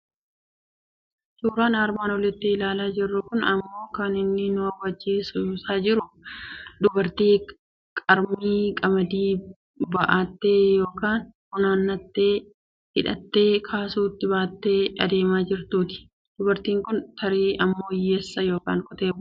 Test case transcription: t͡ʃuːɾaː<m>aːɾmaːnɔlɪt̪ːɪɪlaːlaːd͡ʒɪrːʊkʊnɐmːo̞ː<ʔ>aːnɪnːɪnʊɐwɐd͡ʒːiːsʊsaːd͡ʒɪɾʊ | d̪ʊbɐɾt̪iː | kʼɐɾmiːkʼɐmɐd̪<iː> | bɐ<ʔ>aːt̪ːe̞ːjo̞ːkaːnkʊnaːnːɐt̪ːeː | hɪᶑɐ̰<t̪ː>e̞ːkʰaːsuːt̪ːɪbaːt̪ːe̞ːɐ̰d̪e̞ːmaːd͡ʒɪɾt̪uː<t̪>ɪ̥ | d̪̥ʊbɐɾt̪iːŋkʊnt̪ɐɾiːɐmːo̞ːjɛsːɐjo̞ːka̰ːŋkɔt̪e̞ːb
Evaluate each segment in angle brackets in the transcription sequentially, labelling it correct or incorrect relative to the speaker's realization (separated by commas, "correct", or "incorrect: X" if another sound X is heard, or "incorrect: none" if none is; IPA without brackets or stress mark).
incorrect: n, incorrect: k, correct, correct, correct, correct